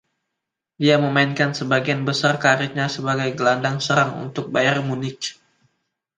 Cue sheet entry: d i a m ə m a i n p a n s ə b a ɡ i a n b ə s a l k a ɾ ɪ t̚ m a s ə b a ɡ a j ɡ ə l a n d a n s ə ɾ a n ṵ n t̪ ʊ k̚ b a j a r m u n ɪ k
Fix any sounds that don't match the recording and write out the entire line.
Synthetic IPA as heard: d i a m ə m a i n k a n s ə b a ɡ i a n b ə s a r k a ɾ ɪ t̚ ɲ a s ə b a ɡ a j ɡ ə l a n d a ŋ s ə ɾ a ŋ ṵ n t̪ ʊ k̚ b a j a r m u n ɪ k